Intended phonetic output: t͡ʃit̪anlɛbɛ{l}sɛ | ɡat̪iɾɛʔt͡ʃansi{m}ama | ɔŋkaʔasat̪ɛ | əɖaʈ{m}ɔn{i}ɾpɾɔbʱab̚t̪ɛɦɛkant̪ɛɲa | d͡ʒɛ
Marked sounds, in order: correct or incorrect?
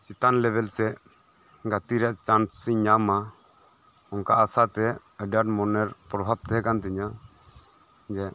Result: correct, incorrect, correct, incorrect

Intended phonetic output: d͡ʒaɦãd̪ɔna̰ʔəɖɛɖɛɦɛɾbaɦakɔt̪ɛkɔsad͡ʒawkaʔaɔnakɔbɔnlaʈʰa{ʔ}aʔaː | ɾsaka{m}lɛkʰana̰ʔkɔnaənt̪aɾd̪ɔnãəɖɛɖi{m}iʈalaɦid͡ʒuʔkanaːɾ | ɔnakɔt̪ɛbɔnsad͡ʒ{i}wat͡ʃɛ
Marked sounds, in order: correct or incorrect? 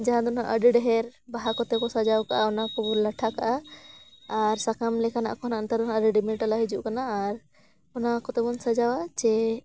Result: incorrect, correct, correct, incorrect

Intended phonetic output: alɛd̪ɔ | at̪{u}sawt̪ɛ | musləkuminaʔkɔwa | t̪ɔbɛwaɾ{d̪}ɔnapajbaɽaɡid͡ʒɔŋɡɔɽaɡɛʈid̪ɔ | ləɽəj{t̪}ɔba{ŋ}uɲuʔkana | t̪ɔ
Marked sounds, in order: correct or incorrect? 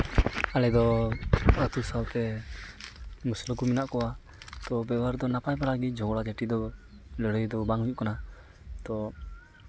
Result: correct, correct, incorrect, correct

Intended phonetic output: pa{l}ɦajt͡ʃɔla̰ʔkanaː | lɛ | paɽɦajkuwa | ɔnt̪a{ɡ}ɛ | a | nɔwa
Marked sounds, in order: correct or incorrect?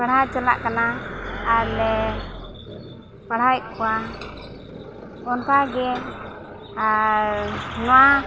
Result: incorrect, correct

